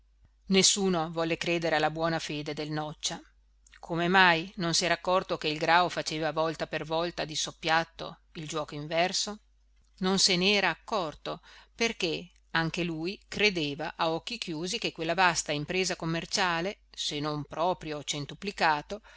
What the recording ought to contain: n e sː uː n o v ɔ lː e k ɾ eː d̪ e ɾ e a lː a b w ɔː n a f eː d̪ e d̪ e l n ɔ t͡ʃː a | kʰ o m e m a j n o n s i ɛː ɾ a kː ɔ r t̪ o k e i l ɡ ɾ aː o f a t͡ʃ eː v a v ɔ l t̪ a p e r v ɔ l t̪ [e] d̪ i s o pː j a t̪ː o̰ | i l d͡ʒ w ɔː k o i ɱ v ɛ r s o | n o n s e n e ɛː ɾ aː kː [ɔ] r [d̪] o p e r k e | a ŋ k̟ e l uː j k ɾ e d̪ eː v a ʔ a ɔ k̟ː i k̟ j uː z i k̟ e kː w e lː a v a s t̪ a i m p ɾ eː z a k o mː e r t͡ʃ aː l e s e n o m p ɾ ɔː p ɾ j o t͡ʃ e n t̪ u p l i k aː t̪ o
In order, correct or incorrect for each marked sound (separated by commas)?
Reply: incorrect, correct, incorrect